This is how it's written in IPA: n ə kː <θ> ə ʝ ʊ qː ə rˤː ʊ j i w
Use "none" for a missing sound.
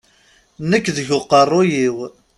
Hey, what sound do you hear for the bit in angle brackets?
ð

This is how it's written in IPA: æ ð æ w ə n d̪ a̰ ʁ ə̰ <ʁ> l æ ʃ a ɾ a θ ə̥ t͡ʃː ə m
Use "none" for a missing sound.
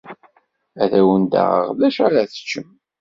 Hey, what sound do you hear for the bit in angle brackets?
ʁ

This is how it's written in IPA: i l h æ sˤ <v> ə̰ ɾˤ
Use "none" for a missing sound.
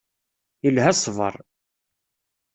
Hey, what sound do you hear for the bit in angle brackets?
v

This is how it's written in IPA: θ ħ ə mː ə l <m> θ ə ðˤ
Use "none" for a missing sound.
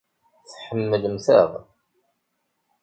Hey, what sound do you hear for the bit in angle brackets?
m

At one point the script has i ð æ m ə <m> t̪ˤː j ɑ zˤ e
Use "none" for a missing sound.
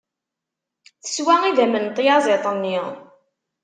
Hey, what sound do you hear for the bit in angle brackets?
n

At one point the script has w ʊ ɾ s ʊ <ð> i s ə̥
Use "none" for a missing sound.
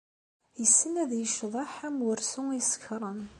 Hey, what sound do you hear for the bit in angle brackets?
none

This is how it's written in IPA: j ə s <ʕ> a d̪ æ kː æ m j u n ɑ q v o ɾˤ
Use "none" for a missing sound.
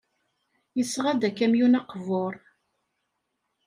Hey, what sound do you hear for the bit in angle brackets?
ʁ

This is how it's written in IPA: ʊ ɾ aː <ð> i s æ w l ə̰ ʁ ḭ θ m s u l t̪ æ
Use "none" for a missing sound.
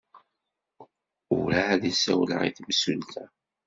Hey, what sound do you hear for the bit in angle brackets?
ð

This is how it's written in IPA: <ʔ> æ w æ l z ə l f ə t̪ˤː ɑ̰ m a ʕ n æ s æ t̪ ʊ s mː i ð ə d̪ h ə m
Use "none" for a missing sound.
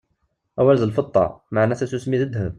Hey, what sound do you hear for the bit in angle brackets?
ʔ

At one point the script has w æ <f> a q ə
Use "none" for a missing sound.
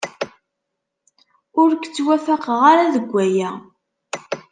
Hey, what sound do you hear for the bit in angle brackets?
f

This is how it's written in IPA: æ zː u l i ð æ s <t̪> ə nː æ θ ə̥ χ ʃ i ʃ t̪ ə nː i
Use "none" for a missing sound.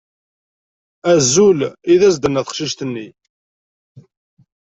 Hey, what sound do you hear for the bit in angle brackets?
d̪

